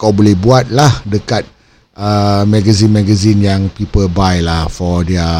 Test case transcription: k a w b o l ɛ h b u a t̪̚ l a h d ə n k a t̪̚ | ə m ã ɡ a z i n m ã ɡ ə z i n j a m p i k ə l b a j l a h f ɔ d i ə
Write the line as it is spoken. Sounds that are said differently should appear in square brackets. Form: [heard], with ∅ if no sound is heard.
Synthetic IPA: k a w b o l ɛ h b u a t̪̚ l a h d ə [∅] k a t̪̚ | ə m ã ɡ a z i n m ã ɡ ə z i n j a [ŋ] p i [p] ə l b a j l a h f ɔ d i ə